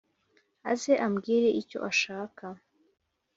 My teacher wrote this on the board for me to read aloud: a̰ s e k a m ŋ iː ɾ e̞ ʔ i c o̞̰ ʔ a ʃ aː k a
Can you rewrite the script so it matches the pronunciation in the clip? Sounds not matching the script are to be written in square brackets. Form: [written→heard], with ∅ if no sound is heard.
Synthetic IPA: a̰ [s→z] e [k→ʔ] a m [ŋ→ɡ] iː ɾ e̞ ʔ i c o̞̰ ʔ a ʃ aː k a

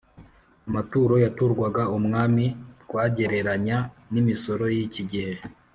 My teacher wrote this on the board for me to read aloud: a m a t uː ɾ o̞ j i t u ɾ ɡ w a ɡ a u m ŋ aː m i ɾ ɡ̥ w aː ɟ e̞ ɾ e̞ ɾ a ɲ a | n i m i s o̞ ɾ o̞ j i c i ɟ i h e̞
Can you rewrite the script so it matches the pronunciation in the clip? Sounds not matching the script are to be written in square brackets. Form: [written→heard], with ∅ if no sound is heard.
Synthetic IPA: a m a t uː ɾ o̞ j [i→a] t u ɾ ɡ w a ɡ a u m ŋ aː m i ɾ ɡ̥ w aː ɟ e̞ ɾ e̞ ɾ a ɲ a | n i m i s o̞ ɾ o̞ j i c i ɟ i h e̞

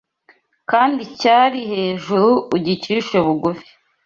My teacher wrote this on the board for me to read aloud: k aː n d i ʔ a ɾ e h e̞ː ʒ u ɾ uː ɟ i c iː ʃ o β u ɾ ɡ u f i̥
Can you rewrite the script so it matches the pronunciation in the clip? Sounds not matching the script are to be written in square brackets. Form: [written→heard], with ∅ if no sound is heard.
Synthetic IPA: k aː n d i [ʔ→c] a ɾ [e→i] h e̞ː ʒ u ɾ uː ɟ i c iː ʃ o β u [ɾ→∅] ɡ u f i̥

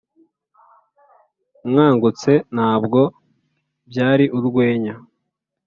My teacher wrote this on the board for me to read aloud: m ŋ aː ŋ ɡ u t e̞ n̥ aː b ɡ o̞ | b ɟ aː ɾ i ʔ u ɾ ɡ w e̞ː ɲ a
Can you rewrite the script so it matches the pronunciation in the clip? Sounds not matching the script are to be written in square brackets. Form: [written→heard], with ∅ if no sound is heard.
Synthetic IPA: m ŋ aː ŋ ɡ u [t→t͡s] e̞ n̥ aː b ɡ o̞ | b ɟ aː ɾ i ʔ u ɾ ɡ w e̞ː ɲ a

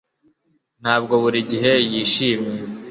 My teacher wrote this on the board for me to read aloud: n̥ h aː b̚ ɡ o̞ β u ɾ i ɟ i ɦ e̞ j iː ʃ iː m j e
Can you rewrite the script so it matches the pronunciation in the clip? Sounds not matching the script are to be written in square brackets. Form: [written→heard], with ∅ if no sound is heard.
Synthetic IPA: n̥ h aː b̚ ɡ o̞ β u ɾ i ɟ i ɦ e̞ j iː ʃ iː m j e

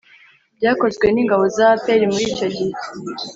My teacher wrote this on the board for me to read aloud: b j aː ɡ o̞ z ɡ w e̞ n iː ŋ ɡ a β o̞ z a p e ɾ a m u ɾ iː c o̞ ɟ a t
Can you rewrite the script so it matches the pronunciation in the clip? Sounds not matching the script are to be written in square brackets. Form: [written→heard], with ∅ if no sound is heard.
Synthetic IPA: b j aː [ɡ→k] o̞ z ɡ w e̞ n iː ŋ ɡ a β o̞ z a p e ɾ [a→i] m u ɾ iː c o̞ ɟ [a→i] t

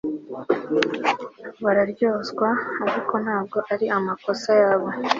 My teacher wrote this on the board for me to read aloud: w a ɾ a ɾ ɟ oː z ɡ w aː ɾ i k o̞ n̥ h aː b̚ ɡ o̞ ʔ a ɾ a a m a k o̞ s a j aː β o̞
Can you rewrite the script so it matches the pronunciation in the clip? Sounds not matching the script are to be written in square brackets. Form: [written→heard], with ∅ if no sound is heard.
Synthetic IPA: [w→β] a ɾ a ɾ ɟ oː z ɡ w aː ɾ i k o̞ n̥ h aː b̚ ɡ o̞ ʔ a ɾ [a→i] a m a k o̞ s a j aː β o̞

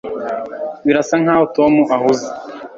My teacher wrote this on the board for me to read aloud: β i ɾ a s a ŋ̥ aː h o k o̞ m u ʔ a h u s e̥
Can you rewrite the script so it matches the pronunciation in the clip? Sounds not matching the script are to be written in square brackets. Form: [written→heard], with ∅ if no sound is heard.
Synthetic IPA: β i ɾ a s a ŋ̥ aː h o [k→t] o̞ m u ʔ a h u [s→z] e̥

